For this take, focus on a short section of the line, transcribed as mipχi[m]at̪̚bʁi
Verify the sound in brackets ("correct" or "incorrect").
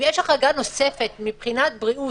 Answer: incorrect